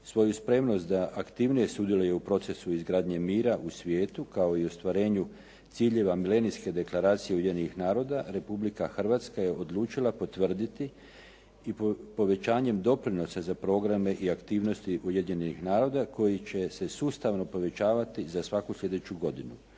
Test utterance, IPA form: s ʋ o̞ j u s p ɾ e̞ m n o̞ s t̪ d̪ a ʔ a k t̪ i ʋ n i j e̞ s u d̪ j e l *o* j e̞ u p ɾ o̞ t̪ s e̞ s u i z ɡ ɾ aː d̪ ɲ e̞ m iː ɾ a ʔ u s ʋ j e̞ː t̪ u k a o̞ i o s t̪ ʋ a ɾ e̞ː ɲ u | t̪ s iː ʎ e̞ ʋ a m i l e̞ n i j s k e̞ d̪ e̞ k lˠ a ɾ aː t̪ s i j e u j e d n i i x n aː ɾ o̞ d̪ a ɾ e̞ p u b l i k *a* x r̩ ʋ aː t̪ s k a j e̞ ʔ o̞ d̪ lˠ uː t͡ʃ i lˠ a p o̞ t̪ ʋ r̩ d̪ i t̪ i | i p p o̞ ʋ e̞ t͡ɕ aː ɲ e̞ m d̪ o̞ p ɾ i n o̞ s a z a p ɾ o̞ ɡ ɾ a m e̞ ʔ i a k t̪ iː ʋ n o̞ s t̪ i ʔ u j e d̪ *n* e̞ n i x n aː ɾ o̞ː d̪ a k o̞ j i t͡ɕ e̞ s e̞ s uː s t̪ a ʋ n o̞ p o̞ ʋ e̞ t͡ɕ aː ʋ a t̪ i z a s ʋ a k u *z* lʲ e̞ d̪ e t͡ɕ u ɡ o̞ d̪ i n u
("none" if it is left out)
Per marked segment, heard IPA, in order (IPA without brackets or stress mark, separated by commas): u, a, ɲ, s